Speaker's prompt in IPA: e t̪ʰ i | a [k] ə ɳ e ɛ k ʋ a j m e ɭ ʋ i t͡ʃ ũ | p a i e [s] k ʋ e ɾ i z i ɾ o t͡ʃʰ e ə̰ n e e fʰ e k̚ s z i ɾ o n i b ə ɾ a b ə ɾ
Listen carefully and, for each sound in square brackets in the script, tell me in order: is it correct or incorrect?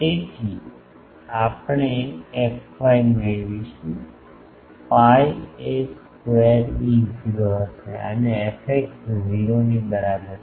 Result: incorrect: p, correct

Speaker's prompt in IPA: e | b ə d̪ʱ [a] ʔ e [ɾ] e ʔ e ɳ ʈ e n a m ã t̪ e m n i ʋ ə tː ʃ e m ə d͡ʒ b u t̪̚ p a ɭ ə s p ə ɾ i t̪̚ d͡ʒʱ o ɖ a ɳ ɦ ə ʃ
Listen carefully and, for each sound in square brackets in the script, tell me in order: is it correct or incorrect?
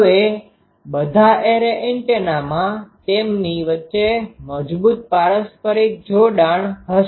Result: correct, correct

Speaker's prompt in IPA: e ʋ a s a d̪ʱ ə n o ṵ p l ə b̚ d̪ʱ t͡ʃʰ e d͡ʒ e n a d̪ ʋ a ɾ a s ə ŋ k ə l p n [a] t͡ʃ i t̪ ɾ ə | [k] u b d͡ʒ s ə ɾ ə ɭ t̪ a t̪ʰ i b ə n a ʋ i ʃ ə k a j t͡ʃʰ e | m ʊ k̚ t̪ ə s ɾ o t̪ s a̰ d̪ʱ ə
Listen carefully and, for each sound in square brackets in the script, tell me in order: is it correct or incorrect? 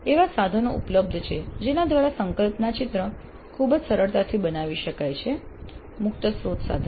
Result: correct, incorrect: kʰ

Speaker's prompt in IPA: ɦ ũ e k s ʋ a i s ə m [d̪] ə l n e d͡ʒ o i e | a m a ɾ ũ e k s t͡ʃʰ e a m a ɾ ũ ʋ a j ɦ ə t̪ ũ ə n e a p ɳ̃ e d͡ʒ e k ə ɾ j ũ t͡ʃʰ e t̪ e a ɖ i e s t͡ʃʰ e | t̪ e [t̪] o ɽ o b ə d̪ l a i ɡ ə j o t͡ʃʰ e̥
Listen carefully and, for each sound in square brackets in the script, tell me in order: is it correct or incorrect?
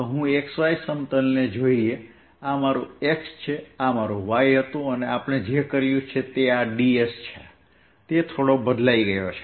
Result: incorrect: t̪, incorrect: t̪ʰ

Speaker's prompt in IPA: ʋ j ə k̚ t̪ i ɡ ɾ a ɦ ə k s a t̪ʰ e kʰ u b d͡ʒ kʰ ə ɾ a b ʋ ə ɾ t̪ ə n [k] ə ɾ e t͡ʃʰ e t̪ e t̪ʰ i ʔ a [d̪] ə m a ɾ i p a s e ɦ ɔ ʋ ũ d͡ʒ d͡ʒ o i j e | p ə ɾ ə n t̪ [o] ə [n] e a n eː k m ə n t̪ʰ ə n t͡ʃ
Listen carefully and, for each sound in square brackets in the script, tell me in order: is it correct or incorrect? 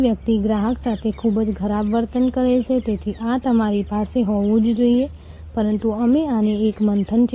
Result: correct, incorrect: t̪, incorrect: u, incorrect: m

